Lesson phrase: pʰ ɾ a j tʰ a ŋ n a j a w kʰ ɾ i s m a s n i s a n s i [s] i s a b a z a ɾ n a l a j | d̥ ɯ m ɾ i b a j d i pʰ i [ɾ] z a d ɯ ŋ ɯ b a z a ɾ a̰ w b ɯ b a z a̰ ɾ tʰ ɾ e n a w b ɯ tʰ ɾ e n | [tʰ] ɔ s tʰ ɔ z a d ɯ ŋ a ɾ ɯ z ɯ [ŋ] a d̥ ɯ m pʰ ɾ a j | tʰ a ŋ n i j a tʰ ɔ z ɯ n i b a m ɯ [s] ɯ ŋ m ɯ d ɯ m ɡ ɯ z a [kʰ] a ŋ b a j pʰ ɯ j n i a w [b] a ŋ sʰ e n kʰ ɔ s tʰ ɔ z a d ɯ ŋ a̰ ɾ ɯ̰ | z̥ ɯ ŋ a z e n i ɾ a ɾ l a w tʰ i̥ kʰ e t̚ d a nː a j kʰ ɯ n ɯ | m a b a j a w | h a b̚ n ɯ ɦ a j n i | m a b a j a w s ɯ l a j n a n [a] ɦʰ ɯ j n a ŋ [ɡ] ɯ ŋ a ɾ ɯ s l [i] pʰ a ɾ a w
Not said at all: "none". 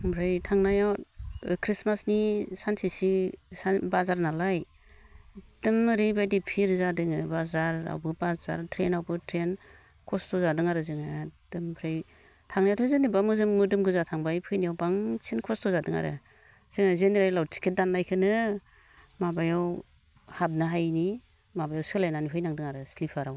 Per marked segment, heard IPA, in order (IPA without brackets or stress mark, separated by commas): s, ɾ, kʰ, ŋ, z, tʰ, b, i, d, i